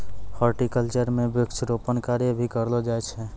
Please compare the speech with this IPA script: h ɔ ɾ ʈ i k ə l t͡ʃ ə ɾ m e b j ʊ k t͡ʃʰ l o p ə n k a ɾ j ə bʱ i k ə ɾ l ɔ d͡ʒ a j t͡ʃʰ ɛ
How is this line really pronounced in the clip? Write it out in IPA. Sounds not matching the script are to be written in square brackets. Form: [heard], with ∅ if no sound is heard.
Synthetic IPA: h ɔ ɾ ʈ i k ə l t͡ʃ ə ɾ m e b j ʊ k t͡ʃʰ [ɾ] o p ə n k a ɾ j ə bʱ i k ə ɾ l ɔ d͡ʒ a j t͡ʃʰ ɛ